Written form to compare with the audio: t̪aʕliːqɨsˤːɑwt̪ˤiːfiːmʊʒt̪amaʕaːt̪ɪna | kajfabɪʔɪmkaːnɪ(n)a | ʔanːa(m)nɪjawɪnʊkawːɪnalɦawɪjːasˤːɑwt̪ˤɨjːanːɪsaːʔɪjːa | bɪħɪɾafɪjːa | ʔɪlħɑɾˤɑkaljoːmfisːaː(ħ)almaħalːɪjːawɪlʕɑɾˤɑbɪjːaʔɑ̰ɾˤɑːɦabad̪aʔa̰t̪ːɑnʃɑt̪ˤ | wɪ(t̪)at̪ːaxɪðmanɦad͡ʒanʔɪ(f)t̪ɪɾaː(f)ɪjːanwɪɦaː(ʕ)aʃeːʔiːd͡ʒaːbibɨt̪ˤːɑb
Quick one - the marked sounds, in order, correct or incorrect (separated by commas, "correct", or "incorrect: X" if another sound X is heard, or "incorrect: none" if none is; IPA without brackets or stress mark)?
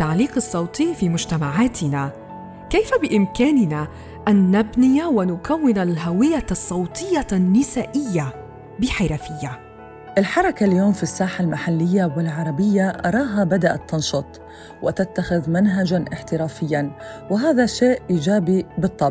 correct, incorrect: b, correct, correct, incorrect: ħ, correct, incorrect: ð